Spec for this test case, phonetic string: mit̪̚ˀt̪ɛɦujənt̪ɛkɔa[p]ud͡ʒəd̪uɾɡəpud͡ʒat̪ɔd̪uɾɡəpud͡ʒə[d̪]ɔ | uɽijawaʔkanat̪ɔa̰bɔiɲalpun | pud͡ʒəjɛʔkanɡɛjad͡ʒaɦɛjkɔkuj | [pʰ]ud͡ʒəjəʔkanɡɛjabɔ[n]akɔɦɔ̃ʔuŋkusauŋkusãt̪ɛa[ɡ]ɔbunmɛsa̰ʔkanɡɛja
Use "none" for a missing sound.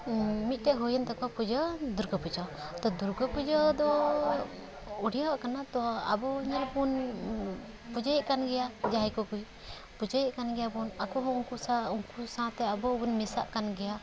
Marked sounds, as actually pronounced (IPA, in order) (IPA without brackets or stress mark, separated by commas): p, d̪, p, n, b